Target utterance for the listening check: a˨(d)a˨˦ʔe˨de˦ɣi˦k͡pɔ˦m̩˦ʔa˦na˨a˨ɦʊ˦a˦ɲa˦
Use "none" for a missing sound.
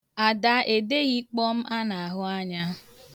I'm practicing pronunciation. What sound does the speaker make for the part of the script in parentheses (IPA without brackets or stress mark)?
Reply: d